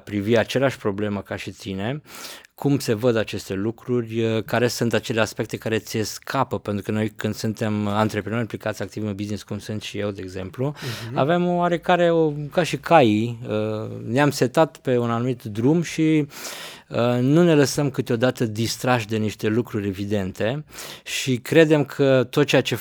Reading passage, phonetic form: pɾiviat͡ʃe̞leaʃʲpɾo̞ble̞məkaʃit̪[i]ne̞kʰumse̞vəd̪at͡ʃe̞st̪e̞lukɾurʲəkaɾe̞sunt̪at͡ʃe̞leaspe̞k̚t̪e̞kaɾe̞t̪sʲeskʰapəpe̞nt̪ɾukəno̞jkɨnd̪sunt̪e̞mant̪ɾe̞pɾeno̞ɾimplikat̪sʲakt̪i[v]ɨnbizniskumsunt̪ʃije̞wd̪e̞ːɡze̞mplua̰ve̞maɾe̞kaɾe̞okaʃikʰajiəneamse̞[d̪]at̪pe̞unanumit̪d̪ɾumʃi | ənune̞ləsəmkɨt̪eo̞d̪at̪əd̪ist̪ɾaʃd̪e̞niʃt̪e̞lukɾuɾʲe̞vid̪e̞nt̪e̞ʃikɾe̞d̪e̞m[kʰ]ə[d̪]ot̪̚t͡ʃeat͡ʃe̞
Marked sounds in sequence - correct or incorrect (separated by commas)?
correct, correct, incorrect, correct, incorrect